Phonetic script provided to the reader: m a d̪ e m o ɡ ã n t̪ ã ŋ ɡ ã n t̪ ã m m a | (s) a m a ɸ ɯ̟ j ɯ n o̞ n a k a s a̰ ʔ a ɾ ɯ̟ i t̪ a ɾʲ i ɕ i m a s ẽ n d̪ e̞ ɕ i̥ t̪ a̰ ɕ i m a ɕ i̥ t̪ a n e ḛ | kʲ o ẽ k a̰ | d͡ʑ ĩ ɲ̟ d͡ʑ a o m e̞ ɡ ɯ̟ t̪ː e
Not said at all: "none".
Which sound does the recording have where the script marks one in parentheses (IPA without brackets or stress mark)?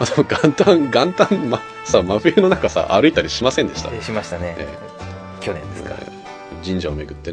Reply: s